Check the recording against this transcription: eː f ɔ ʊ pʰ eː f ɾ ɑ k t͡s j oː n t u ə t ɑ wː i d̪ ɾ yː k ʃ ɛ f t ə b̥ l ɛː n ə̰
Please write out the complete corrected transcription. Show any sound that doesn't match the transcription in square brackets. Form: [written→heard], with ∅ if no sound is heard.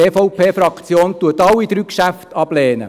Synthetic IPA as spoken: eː f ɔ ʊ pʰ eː f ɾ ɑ k t͡s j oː n t u ə t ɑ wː i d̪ ɾ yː k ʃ [ɛ→æ] f t [ə→ɑ] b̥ l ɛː n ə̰